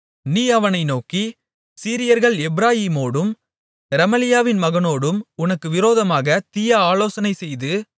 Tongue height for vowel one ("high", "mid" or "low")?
high